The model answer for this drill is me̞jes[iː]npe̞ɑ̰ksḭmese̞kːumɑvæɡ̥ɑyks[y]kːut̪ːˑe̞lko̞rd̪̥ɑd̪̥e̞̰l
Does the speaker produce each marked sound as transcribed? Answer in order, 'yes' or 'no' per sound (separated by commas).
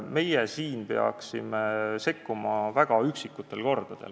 yes, no